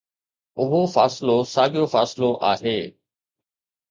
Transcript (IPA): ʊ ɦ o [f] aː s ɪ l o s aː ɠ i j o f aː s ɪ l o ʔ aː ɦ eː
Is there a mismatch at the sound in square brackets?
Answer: no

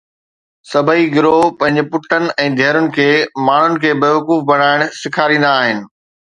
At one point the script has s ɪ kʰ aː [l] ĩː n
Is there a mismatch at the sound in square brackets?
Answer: yes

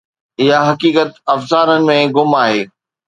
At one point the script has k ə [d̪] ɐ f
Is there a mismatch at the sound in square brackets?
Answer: yes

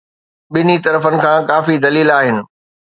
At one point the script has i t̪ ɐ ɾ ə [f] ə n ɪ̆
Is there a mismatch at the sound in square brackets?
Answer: no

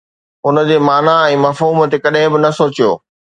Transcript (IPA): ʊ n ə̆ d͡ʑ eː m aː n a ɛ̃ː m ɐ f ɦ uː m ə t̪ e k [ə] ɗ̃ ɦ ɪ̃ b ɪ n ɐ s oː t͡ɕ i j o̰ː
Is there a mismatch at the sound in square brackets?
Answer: yes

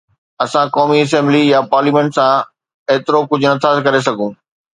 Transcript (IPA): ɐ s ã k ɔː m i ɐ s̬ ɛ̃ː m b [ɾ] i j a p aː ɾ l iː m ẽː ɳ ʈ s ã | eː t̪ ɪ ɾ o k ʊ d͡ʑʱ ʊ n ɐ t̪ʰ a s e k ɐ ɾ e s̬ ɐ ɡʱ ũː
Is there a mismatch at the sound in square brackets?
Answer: yes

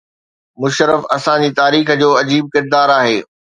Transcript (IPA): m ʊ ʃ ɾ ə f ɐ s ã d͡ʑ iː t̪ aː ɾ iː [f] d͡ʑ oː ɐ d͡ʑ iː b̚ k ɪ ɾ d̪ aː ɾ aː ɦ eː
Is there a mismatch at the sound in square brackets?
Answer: yes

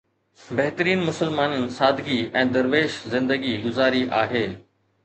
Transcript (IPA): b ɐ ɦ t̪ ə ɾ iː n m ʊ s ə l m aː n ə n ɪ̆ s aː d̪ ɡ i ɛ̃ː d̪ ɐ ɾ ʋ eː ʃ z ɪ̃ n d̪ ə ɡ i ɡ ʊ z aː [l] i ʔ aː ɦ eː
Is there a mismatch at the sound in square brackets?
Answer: yes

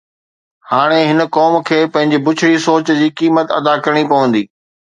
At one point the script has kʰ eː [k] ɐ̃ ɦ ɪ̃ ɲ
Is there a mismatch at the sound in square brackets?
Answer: yes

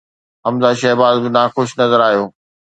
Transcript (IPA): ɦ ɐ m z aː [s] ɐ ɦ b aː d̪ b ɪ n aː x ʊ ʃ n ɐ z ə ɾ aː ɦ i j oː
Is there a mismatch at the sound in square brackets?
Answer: yes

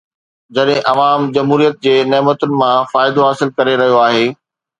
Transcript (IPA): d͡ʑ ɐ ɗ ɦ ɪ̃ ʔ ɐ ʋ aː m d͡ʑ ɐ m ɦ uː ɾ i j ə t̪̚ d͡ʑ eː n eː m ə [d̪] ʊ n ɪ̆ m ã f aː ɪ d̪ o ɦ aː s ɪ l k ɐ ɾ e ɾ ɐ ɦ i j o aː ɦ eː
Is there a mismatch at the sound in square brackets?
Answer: yes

